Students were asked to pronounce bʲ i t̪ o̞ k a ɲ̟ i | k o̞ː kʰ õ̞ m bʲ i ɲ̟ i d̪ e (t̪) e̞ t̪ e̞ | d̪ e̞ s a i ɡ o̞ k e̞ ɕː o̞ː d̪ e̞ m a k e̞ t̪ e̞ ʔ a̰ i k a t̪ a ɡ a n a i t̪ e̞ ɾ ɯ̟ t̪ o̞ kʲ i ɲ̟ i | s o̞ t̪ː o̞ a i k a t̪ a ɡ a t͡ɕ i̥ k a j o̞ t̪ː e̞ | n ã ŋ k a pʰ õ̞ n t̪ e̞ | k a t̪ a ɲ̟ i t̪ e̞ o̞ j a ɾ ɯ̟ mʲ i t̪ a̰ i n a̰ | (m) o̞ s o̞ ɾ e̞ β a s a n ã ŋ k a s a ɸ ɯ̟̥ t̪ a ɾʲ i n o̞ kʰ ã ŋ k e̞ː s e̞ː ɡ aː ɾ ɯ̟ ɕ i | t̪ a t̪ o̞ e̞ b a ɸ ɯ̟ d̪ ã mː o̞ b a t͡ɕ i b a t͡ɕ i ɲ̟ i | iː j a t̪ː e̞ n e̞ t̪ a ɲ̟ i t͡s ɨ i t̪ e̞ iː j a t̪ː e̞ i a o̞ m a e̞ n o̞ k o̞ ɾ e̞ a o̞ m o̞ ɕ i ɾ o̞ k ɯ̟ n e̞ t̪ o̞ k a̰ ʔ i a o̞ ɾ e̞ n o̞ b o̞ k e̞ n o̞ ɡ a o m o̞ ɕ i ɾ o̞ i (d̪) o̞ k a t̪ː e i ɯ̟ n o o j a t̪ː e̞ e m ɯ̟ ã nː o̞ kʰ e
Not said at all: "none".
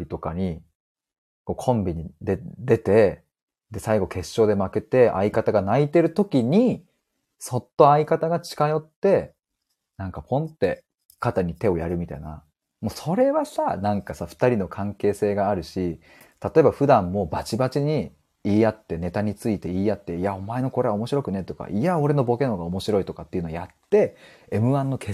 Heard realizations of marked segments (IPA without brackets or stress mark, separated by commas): d̪, m, t̪